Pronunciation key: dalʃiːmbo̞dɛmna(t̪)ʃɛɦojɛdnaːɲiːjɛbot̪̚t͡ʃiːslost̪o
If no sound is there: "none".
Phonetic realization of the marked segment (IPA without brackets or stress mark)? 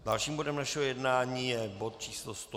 none